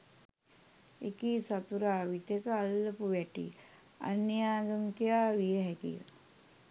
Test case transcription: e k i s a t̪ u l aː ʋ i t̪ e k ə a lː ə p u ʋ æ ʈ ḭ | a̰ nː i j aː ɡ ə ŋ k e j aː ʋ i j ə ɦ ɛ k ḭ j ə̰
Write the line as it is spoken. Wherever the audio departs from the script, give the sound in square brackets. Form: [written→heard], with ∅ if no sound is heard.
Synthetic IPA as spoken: e k i s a t̪ u [l→ɾ] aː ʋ i t̪ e k ə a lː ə p u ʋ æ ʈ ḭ | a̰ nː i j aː ɡ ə ŋ k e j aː ʋ i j ə ɦ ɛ k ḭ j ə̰